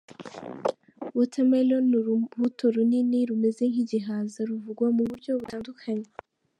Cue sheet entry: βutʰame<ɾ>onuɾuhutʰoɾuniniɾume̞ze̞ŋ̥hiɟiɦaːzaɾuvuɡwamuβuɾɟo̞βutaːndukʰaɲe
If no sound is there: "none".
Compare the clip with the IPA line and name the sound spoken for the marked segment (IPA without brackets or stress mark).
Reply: l